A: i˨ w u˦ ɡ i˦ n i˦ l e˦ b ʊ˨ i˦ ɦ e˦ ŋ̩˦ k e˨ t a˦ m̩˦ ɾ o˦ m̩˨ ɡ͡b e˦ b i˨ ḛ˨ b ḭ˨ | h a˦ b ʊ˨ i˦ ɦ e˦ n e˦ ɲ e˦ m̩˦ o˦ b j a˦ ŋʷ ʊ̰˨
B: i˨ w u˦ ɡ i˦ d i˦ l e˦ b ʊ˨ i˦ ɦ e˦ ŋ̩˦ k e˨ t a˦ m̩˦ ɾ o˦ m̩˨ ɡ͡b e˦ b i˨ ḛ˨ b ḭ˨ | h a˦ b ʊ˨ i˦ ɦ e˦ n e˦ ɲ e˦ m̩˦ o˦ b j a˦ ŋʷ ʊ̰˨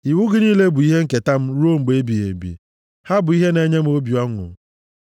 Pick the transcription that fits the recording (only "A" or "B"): A